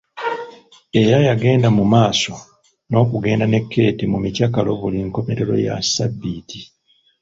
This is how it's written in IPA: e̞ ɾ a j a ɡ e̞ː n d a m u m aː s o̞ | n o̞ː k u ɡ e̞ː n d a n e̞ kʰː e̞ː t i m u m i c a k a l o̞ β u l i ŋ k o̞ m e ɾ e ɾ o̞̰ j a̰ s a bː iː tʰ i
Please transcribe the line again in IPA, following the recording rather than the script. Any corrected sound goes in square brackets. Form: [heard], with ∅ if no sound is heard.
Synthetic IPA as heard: e̞ ɾ a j a ɡ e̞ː n d a m u m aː s o̞ | n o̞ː k u ɡ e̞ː n d a n e̞ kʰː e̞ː t i m u m i c a k a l o̞ β u l i ŋ k o̞ m e ɾ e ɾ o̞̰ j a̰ s a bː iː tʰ i